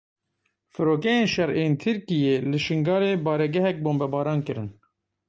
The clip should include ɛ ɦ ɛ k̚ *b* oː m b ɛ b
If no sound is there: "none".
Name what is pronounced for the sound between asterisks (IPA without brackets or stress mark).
b